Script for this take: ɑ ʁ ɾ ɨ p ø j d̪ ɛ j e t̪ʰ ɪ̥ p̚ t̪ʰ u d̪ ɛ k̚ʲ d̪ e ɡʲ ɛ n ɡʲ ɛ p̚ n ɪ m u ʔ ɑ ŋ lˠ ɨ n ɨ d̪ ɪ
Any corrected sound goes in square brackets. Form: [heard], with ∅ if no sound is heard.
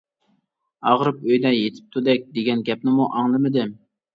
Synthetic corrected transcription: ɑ ʁ ɾ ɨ p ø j d̪ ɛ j e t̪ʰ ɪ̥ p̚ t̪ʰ u d̪ ɛ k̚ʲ d̪ e ɡʲ ɛ n ɡʲ ɛ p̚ n ɪ m u ʔ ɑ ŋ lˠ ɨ [m] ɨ d̪ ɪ